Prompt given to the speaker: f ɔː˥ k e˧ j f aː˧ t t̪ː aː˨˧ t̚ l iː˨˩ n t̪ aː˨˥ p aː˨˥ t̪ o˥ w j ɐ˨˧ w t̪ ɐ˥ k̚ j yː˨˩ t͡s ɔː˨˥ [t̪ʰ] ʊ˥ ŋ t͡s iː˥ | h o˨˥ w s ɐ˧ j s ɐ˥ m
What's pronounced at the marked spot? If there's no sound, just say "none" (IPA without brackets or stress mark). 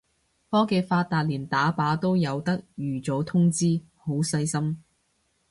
t̪ʰ